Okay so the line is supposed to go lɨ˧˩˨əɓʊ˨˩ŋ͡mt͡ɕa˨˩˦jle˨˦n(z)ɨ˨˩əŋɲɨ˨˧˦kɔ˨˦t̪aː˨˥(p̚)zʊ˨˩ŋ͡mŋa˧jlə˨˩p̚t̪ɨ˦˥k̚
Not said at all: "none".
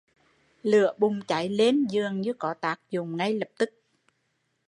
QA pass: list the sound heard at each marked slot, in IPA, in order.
z, k̚

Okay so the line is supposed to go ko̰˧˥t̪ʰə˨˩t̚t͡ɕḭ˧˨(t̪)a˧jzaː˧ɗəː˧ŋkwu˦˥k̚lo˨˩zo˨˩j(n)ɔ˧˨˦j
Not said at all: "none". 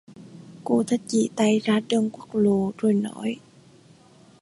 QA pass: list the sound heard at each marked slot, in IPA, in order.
t̪, n

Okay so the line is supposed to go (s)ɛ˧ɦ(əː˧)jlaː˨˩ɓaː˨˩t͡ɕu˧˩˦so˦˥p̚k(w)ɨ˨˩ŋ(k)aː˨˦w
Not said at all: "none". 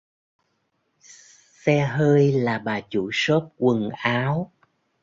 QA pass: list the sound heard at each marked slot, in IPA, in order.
s, əː˧, w, ʔ

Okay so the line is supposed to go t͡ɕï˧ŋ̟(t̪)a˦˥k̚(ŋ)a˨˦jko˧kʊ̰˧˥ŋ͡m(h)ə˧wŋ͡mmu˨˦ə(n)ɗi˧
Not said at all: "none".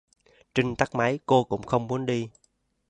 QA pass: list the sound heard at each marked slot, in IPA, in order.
t̪, m, x, n

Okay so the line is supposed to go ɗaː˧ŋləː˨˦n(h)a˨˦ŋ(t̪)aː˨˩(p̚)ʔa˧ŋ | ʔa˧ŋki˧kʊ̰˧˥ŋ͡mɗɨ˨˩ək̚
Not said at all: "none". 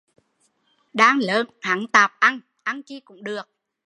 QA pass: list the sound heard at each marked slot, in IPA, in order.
h, t̪, p̚

